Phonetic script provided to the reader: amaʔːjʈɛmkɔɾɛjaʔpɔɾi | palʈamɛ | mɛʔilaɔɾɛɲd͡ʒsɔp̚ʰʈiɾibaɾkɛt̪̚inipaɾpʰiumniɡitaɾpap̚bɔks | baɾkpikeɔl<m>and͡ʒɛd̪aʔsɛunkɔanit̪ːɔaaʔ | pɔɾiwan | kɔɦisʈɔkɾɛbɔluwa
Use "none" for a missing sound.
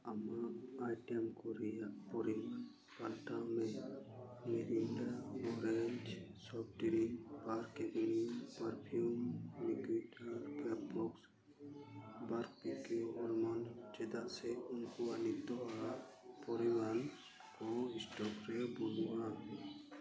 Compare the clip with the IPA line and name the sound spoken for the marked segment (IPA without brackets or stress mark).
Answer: m